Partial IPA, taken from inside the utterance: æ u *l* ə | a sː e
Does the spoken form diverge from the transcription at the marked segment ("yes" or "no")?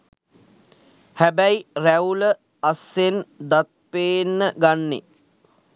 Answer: no